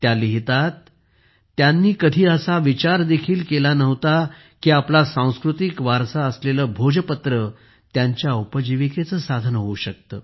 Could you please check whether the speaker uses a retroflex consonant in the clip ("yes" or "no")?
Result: no